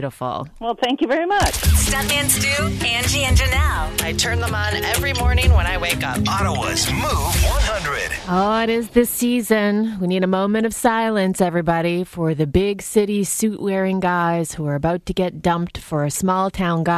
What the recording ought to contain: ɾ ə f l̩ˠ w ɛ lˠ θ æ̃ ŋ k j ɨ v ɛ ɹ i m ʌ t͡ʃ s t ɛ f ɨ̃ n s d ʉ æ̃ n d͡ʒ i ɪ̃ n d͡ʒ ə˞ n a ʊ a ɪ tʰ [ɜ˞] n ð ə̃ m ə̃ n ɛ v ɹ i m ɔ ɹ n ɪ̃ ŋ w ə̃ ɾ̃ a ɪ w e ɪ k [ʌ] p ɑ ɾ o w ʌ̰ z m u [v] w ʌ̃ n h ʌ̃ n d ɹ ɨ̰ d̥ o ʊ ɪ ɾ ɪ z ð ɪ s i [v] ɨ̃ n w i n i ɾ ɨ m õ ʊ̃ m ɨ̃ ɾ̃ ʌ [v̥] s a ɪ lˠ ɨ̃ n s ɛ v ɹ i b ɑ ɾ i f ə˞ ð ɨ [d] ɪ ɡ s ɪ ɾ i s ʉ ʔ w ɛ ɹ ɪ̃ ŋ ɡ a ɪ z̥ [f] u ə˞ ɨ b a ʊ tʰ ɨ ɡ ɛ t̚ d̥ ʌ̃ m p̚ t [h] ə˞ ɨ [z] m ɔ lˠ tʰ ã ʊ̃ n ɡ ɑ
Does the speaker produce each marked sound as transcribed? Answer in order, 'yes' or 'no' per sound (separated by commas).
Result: no, yes, yes, no, yes, no, no, no, no